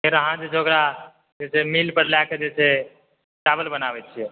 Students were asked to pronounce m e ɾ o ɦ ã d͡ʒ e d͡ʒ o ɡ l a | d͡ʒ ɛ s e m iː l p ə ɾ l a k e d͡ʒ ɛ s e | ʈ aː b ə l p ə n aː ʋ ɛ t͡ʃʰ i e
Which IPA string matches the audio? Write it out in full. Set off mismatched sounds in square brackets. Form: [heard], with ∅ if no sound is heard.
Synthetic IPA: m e ɾ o ɦ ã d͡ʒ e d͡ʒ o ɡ [ɾ] a | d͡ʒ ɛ s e m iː l p ə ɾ l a k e d͡ʒ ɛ s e | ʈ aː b ə l [b] ə n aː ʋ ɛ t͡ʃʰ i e